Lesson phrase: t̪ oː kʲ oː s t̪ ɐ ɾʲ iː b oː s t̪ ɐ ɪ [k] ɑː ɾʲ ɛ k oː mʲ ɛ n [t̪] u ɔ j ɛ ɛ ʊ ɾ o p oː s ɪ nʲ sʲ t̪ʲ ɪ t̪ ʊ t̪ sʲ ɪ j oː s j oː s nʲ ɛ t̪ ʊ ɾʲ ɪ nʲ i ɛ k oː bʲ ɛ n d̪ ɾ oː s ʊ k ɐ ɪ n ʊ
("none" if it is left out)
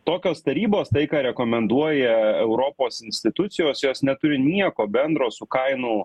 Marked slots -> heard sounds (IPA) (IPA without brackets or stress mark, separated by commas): k, d̪